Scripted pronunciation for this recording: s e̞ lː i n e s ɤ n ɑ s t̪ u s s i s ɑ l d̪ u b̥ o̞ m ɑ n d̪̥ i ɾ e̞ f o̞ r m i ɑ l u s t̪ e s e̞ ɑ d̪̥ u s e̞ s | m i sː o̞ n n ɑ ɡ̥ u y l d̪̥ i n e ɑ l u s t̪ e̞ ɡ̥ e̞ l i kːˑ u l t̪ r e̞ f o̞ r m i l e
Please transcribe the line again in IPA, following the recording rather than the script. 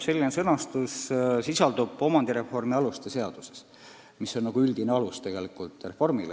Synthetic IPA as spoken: s e̞ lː i n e s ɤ n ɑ s t̪ u s s i s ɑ l d̪ u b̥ o̞ m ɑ n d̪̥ i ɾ e̞ f o̞ r m i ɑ l u s t̪ e s e̞ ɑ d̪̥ u s e̞ s | m i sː o̞ n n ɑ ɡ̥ u y l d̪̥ i n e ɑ l u s t̪ e̞ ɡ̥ e̞ l i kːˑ u l t̪ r e̞ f o̞ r m i l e